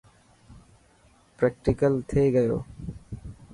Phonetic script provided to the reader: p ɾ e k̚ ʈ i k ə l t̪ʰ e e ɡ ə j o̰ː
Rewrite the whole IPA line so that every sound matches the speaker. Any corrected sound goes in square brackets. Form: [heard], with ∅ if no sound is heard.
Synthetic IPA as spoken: p ɾ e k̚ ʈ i k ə l t̪ʰ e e ɡ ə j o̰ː